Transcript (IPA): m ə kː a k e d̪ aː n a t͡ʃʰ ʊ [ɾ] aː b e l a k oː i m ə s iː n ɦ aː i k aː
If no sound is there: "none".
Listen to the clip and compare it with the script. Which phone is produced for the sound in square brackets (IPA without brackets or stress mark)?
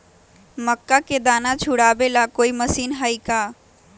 ɽ